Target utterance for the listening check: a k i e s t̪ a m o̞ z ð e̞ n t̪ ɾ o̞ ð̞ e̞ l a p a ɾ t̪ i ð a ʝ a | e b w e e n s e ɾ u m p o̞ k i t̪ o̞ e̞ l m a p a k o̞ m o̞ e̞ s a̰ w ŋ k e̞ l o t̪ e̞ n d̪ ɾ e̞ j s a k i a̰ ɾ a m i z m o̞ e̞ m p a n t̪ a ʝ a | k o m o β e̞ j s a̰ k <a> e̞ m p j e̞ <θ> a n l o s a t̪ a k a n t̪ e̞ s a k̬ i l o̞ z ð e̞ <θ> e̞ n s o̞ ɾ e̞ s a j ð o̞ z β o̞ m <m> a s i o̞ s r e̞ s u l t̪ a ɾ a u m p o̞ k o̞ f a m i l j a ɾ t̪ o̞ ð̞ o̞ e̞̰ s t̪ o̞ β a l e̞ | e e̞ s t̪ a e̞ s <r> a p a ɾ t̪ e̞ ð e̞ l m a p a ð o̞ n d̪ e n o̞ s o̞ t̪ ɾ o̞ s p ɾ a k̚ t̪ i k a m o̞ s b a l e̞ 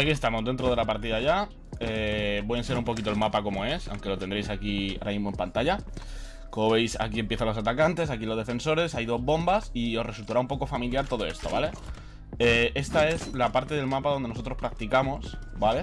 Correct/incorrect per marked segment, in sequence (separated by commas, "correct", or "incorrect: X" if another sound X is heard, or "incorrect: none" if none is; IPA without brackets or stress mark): incorrect: i, correct, incorrect: f, incorrect: b, incorrect: l